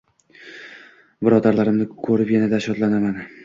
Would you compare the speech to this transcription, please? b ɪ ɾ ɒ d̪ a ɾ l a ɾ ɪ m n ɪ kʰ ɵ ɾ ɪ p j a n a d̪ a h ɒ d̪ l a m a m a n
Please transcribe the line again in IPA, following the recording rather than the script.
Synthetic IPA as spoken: b ɪ ɾ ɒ d̪ a ɾ l a ɾ ɪ m n ɪ kʰ ɵ ɾ ɪ p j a n a d̪ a ʃ ɒ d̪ l a n a m a n